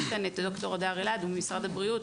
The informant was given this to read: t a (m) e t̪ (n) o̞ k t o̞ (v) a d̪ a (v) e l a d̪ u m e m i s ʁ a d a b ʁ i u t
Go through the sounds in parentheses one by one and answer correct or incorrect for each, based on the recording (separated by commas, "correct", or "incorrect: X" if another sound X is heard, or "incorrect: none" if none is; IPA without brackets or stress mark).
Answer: incorrect: n, incorrect: d, incorrect: ʁ, incorrect: ʁ